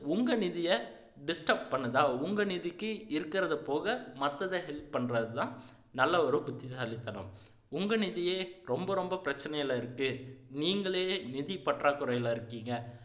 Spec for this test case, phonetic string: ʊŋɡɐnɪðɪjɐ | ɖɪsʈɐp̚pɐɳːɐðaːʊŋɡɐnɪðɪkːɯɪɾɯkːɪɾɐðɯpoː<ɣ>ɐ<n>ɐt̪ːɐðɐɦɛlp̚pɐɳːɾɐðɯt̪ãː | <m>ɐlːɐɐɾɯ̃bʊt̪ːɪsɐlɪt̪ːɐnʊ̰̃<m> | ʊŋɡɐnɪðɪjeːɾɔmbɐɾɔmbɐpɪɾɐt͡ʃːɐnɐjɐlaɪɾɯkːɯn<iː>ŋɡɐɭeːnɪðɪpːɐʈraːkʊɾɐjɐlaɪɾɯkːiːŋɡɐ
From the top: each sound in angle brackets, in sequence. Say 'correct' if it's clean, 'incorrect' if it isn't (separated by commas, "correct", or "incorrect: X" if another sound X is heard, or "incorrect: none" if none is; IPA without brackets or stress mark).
correct, incorrect: m, incorrect: n, correct, correct